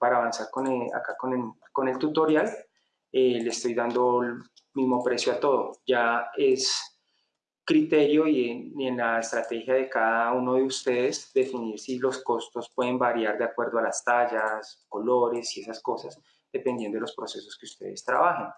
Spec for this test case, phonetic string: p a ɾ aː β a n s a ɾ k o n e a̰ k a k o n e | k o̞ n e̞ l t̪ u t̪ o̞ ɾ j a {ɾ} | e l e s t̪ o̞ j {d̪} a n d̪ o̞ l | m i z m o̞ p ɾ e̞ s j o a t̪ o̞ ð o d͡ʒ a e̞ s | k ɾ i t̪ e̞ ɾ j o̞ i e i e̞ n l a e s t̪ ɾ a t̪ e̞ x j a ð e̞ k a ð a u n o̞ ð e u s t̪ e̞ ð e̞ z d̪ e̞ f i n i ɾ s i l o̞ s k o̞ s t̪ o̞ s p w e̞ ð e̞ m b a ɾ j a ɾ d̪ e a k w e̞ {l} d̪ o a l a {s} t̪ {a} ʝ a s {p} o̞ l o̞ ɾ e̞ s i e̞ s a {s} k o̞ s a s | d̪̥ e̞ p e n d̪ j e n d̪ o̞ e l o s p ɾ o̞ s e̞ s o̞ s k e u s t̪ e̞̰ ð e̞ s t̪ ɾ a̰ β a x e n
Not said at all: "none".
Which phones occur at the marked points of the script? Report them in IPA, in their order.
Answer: l, d̪, ɾ, s, a, k, s

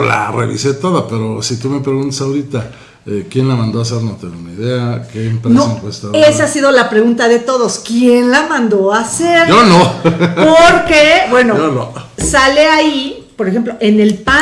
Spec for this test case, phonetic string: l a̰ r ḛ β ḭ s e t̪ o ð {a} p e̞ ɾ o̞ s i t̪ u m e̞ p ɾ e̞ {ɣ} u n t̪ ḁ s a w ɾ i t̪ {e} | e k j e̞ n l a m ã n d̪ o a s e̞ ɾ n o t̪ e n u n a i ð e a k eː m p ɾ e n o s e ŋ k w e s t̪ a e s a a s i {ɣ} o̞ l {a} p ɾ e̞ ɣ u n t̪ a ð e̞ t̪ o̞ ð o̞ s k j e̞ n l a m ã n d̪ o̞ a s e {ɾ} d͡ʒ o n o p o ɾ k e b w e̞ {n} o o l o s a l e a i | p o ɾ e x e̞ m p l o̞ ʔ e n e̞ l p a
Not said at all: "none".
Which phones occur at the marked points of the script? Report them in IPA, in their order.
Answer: a, ɣ, a, ð, a, ɾ, n

